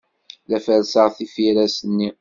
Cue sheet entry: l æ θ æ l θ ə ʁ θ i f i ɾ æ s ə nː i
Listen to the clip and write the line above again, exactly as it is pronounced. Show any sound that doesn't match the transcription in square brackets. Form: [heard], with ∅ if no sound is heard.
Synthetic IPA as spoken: l æ [f] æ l [s] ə ʁ θ i f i ɾ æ s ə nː i